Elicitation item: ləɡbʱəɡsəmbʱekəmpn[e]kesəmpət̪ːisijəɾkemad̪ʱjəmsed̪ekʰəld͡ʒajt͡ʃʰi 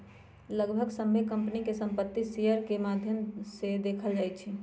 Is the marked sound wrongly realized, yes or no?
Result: yes